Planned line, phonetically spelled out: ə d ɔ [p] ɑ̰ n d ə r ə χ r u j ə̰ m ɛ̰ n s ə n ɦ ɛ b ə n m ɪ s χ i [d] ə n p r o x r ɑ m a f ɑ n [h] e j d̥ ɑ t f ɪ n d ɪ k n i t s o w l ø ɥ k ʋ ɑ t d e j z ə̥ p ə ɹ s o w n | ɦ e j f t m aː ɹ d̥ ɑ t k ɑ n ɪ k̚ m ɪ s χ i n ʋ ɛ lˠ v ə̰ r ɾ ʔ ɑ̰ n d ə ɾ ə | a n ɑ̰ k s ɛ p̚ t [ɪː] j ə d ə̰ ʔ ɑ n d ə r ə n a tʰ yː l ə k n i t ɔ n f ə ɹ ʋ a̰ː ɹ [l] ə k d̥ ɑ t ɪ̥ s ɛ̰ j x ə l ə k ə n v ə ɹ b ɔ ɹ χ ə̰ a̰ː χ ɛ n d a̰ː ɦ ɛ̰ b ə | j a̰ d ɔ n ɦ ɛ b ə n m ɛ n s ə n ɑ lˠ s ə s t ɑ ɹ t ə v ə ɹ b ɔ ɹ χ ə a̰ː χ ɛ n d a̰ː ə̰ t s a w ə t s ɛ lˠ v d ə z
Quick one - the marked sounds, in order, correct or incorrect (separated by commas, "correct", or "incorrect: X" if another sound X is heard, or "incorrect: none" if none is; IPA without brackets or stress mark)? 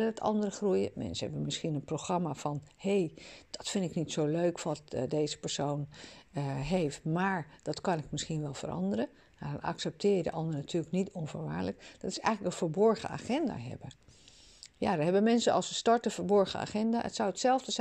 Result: incorrect: t, incorrect: n, correct, correct, correct